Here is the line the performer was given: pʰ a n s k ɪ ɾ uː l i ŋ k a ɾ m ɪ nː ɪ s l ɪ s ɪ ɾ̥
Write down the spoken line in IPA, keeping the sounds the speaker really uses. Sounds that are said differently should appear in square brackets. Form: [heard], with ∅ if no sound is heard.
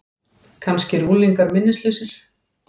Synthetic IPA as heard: [kʰ] a n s [c] ɪ ɾ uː l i ŋ k a ɾ m ɪ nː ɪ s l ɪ s ɪ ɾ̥